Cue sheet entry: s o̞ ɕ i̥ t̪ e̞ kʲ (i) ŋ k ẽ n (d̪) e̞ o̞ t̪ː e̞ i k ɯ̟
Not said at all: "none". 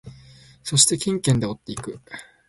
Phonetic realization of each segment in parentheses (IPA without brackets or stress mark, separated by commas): ĩ, d̪